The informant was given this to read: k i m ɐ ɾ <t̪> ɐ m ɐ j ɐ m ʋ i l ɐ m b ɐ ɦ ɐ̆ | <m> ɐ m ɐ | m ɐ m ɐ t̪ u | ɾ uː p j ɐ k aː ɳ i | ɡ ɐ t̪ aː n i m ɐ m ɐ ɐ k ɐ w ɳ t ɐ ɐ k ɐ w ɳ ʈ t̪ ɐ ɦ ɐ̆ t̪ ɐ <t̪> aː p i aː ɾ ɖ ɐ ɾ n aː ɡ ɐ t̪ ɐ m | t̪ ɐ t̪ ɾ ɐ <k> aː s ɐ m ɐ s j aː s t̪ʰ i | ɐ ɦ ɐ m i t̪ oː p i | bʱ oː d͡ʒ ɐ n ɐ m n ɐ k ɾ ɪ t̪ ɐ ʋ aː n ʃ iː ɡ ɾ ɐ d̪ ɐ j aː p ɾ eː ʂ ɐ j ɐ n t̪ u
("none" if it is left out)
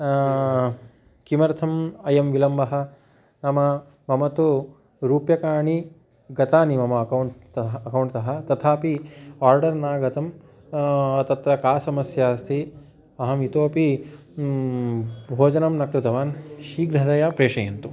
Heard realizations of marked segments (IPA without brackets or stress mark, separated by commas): t̪ʰ, n, t̪ʰ, k